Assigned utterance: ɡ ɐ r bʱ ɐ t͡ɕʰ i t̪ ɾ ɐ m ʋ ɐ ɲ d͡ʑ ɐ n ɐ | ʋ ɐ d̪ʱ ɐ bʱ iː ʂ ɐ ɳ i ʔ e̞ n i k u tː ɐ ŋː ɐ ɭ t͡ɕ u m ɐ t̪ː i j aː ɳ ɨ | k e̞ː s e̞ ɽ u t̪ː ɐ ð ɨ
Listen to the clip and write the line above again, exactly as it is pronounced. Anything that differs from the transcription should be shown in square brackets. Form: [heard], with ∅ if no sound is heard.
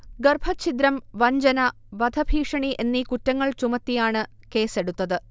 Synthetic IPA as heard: ɡ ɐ r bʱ ɐ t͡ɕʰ i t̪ ɾ ɐ m ʋ ɐ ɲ d͡ʑ ɐ n ɐ | ʋ ɐ d̪ʱ ɐ bʱ iː ʂ ɐ ɳ i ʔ e̞ [nː] i k u tː ɐ ŋː ɐ ɭ t͡ɕ u m ɐ t̪ː i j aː ɳ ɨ | k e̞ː s e̞ ɽ u t̪ː ɐ ð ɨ